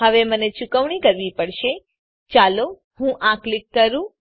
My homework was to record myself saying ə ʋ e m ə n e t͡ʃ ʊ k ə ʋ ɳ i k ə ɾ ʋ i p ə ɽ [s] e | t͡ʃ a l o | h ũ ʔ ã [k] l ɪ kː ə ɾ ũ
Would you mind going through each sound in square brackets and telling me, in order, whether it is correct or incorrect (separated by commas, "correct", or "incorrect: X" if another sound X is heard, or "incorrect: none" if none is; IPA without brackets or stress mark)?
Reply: incorrect: ʃ, correct